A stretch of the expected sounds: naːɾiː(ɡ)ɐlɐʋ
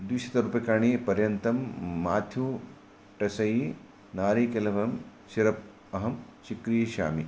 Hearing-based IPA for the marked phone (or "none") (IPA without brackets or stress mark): k